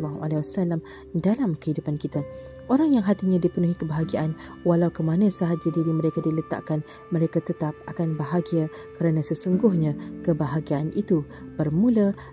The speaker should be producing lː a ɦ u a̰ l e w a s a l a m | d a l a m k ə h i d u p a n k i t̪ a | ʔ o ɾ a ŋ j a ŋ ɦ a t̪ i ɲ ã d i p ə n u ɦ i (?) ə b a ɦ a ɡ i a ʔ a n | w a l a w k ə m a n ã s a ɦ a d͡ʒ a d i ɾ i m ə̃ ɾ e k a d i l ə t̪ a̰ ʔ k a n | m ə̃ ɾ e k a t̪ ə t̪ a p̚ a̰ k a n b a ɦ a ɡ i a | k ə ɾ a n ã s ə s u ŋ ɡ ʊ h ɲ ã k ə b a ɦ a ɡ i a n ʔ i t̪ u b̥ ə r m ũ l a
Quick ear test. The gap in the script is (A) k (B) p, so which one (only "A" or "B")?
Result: A